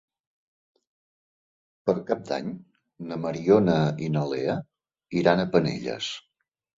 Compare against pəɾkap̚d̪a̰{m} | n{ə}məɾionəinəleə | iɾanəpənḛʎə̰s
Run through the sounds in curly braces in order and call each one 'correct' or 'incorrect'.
incorrect: ɲ, correct

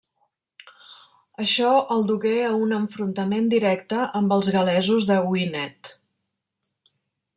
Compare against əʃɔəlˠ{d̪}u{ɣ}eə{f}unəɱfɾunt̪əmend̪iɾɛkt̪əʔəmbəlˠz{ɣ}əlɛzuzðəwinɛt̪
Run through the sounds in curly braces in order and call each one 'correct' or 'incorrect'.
correct, correct, incorrect: none, correct

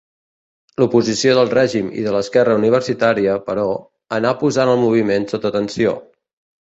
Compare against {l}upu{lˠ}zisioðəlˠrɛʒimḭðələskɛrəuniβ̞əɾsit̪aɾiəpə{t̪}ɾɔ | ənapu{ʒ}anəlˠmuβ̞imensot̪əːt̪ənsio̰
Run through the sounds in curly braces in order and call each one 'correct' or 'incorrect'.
correct, incorrect: none, incorrect: none, incorrect: z

